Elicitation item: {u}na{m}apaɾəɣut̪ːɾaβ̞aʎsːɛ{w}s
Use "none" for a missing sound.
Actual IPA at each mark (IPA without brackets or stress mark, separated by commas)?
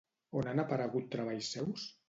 o, n, w